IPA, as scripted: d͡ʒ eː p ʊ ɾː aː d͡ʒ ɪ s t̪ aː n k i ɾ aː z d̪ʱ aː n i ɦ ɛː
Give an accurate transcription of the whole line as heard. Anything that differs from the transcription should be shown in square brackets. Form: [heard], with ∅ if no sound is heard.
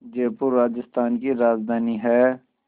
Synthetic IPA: d͡ʒ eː p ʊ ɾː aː d͡ʒ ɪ s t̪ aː n k i ɾ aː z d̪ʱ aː n i ɦ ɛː

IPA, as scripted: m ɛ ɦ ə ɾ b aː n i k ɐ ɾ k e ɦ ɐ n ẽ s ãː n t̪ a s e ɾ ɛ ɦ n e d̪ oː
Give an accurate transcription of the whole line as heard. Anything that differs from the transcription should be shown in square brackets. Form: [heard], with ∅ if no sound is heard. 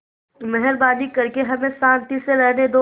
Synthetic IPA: m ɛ ɦ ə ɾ b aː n i k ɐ ɾ k e ɦ ɐ [m] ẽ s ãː n t̪ [i] s e ɾ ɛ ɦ n e d̪ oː

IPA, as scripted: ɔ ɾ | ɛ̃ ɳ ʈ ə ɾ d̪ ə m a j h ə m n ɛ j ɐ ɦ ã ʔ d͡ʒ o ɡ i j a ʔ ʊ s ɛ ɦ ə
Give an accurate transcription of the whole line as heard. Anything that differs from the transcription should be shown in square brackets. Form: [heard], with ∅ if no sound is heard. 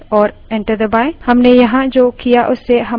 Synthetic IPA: ɔ ɾ | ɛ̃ ɳ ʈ ə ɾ d̪ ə [b] a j h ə m n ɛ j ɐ ɦ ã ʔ d͡ʒ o [k] i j a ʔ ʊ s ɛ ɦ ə

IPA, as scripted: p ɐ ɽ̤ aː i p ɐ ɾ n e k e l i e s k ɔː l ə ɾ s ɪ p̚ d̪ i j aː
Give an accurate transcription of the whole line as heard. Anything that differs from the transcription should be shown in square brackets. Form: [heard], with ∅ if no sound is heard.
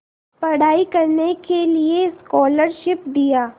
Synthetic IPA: p ɐ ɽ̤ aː i [k] ɐ ɾ n e k e l i e s k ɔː l ə ɾ [ʃ] ɪ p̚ d̪ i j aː

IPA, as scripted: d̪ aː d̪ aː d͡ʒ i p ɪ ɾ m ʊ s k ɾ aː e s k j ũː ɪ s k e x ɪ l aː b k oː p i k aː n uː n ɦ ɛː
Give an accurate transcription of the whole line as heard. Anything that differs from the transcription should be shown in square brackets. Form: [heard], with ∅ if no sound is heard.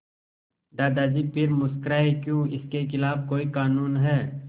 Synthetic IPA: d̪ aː d̪ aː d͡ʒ i p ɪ ɾ m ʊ s k ɾ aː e [∅] k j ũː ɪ s k e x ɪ l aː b k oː [∅] i k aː n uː n ɦ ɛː

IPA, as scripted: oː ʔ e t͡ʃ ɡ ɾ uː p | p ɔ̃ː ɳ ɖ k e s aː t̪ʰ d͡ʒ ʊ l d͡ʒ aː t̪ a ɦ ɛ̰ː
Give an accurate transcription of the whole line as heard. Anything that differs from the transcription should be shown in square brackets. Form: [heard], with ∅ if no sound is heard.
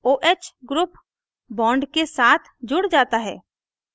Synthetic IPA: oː ʔ e t͡ʃ ɡ ɾ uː p | [b] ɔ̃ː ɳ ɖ k e s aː t̪ʰ d͡ʒ ʊ [ɽ] d͡ʒ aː t̪ a ɦ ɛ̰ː

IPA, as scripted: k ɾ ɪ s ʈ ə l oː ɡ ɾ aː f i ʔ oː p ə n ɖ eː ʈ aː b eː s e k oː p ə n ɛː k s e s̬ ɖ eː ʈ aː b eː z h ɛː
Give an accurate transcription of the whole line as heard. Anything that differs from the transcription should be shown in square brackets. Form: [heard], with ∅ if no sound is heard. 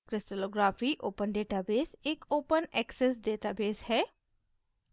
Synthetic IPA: k ɾ ɪ s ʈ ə l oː ɡ ɾ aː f i ʔ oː p ə n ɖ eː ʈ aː b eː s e k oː p ə n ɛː k s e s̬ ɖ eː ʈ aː b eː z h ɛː

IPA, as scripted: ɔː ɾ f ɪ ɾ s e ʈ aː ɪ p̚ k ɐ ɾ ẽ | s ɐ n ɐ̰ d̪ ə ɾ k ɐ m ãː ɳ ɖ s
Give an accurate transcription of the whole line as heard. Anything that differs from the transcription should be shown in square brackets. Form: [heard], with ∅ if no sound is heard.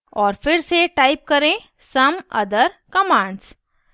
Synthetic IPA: ɔː ɾ f ɪ ɾ s e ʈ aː ɪ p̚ k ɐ ɾ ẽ | s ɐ [m] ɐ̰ d̪ ə ɾ k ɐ m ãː ɳ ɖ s

